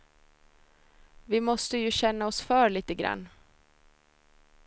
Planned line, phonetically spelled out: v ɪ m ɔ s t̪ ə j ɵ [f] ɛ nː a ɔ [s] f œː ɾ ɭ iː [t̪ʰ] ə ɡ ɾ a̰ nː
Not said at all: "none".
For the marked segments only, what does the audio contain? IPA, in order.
ɕ, s, t̪

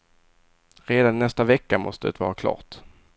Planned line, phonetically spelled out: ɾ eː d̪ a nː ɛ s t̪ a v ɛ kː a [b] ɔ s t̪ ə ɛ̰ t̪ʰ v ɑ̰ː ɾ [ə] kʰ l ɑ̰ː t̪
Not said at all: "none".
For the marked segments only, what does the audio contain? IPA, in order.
m, a

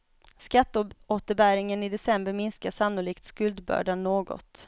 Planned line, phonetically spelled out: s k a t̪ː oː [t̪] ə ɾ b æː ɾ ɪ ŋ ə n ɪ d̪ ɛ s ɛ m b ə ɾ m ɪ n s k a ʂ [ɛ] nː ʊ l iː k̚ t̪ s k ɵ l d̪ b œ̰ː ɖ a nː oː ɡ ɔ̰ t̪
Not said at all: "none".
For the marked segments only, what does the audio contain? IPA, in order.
t̪, a

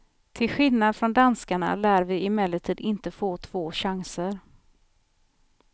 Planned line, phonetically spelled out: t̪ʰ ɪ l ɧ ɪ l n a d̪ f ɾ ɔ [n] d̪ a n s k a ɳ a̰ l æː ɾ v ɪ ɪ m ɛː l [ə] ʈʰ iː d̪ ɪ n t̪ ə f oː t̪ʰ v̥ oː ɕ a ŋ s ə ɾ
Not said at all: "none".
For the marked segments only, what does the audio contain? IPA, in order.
n, ə

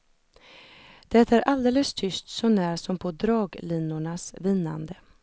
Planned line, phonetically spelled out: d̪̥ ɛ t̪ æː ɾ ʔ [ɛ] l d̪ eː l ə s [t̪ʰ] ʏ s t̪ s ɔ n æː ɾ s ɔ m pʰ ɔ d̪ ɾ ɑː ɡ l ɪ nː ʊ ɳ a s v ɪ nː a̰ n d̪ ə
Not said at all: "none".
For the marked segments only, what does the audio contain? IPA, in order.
a, t̪ʰ

